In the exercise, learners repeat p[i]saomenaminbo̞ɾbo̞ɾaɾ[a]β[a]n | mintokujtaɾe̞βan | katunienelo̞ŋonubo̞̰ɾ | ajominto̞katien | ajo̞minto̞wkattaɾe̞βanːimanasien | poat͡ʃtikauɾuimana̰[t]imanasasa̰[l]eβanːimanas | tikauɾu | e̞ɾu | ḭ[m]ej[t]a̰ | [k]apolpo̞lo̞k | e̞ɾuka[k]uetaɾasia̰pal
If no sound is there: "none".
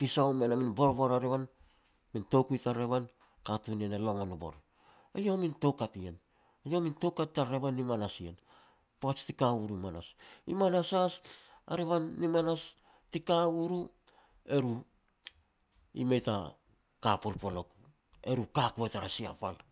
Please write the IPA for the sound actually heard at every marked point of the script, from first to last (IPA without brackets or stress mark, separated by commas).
i, e, a, s, ɾ, m, t, k, k